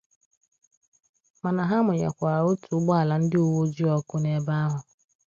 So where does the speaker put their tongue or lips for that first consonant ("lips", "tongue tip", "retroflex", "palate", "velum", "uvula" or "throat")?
lips